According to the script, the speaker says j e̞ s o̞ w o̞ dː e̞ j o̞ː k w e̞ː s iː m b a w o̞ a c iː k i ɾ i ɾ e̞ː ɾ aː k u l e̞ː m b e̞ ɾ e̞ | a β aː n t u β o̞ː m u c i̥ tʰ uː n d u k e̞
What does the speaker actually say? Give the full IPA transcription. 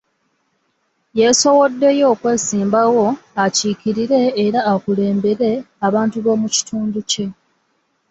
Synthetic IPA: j e̞ s o̞ w o̞ dː e̞ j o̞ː k w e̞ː s iː m b a w o̞ a c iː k i ɾ i ɾ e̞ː ɾ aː k u l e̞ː m b e̞ ɾ e̞ | a β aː n t u β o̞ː m u c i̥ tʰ uː n d u c e̞